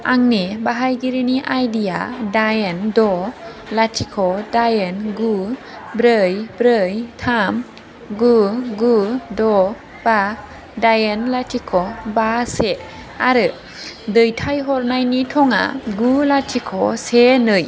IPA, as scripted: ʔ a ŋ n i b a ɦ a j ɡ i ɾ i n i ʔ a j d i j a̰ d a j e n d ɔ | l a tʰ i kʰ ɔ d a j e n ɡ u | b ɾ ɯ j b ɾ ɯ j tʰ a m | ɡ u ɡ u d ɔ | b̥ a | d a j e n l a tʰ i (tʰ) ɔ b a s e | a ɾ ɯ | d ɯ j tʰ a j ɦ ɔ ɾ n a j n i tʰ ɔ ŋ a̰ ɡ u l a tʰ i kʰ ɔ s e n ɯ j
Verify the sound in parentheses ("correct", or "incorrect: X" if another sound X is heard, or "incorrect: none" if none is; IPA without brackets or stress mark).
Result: incorrect: kʰ